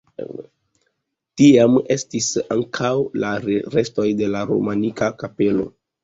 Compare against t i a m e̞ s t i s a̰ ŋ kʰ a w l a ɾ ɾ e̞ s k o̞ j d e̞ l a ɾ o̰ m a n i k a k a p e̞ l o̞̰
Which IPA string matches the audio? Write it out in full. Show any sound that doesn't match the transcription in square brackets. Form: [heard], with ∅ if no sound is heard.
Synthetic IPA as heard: t i a m e̞ s t i s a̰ ŋ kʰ a w l a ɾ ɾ e̞ s [t] o̞ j d e̞ l a ɾ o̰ m a n i k a k a p e̞ l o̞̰